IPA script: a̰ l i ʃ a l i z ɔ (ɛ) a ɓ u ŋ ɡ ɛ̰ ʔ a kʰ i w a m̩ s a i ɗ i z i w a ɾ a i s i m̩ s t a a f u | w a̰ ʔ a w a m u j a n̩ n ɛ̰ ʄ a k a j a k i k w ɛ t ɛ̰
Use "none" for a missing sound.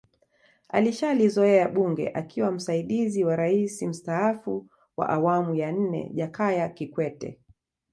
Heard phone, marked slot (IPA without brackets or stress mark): ɛ